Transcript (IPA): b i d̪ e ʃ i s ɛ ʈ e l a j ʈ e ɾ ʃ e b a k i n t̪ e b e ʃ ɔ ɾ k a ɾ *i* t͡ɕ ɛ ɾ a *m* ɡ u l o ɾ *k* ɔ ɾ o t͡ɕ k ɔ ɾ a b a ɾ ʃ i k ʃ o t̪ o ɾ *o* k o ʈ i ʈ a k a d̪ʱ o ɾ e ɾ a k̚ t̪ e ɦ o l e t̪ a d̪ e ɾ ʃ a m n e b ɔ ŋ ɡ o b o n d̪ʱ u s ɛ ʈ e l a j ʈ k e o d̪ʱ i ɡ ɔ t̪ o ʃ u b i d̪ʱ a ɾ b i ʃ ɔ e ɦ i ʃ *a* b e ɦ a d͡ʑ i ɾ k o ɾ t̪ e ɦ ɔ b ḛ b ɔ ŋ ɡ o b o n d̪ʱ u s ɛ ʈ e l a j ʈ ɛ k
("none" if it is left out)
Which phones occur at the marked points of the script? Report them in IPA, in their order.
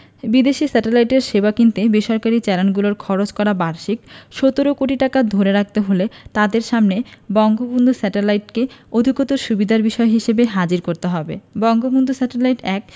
i, n, kʰ, o, e

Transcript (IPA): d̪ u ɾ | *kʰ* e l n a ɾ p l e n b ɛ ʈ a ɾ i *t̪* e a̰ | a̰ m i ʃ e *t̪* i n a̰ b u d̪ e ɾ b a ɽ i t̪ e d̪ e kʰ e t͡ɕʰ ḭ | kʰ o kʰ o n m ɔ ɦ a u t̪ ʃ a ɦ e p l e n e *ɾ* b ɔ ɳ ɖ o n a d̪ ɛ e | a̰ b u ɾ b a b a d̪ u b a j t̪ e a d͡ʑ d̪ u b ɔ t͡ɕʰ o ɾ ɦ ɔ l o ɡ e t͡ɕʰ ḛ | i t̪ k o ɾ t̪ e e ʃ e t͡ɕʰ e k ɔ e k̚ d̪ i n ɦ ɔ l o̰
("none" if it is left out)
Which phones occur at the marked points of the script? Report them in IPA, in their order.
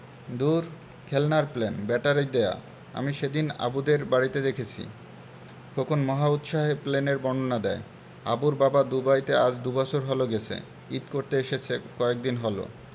kʰ, d̪, d̪, ɾ

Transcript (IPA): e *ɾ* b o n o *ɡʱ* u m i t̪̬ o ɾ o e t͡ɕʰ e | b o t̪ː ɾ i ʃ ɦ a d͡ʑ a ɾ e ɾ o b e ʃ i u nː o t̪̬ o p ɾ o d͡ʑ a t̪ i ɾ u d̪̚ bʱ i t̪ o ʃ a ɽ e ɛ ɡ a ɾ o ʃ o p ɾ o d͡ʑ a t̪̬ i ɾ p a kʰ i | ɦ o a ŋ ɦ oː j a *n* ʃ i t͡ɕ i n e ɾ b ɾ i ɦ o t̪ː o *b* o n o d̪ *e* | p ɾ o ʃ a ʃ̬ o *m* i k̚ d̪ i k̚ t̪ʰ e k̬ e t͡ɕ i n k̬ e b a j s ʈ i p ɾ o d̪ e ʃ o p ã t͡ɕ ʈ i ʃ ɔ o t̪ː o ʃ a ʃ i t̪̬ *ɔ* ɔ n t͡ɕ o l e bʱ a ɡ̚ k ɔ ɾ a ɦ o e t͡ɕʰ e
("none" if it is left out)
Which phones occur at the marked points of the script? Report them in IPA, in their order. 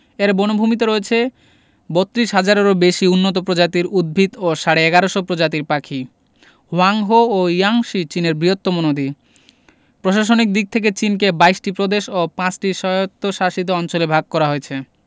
ɾ, bʱ, ŋ, m, i, n, o

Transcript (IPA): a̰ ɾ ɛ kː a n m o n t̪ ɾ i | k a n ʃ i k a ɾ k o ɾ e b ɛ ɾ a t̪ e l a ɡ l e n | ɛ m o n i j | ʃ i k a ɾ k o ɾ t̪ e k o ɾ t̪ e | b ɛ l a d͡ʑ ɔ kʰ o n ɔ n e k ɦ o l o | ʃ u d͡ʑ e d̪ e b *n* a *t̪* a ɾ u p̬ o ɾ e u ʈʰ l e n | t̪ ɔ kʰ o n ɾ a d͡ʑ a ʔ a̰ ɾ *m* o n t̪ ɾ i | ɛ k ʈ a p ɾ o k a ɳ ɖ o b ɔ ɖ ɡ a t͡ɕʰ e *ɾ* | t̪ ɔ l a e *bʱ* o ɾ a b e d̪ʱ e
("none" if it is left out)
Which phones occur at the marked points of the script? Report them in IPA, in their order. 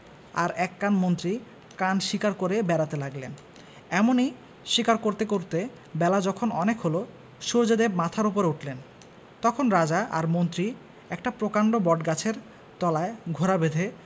m, t̪ʰ, m, ɾ, ɡʱ

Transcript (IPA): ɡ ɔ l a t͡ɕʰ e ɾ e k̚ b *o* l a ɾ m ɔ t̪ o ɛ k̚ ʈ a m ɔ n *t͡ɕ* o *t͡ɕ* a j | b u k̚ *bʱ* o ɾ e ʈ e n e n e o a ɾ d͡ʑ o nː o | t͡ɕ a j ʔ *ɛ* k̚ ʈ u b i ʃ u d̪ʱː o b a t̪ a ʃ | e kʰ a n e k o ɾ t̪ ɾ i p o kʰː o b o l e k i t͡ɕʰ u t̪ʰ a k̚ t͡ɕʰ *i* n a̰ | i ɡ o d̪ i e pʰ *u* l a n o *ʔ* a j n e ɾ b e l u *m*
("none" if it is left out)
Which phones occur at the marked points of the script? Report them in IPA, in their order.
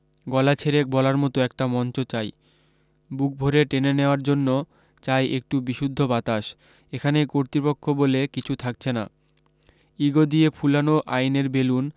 ɔ, t͡ɕ, t͡ɕ, bʱ, e, e, u, ʔ, n

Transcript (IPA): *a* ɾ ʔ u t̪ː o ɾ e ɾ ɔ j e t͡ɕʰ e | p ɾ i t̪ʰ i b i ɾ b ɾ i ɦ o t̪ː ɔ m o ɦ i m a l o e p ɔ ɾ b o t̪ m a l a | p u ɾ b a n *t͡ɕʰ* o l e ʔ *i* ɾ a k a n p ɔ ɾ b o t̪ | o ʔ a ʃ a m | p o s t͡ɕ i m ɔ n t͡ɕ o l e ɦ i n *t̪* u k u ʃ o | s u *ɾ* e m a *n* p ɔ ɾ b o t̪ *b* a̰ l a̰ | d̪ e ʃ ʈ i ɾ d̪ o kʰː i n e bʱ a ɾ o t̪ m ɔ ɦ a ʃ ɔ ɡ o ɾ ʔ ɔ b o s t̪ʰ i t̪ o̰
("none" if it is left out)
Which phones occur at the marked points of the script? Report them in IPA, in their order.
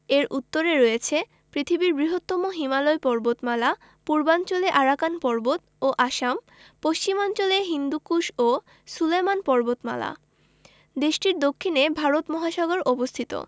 e, t͡ɕ, a, d̪, l, n, m

